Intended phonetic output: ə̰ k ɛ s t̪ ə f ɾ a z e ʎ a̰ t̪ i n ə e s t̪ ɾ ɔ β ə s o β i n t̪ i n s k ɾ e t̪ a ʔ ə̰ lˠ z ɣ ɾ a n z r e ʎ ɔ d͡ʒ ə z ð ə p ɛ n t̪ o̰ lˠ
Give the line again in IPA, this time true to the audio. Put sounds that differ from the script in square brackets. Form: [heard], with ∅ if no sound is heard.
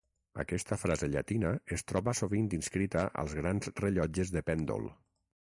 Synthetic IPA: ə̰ k ɛ s t̪ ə f ɾ a z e ʎ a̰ t̪ i n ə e s t̪ ɾ ɔ β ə s o β i n [d̪] i n s k ɾ [i] t̪ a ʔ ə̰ lˠ z ɣ ɾ a n z r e ʎ ɔ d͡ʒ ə z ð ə p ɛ n [d̪] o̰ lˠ